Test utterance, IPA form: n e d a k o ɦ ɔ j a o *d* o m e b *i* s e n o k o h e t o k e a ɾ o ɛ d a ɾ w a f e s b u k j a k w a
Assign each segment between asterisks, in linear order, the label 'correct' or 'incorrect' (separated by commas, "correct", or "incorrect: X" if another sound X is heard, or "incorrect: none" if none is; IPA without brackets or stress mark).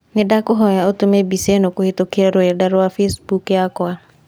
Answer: incorrect: t, correct